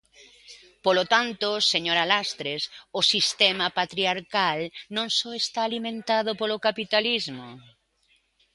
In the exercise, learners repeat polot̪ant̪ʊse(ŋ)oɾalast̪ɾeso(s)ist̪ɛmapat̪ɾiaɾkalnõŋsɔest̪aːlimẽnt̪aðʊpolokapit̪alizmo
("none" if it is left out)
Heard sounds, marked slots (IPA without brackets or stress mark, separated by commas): ɲ, s